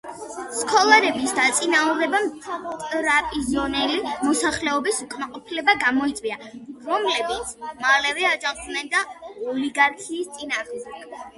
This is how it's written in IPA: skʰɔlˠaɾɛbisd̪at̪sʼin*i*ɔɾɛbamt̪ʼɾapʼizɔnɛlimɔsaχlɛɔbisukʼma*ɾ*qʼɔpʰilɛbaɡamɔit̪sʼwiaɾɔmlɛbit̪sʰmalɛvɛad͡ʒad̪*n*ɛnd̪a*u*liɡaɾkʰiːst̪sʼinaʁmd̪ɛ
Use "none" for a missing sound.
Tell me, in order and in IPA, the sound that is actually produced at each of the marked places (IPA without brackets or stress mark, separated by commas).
a, none, n, ɔ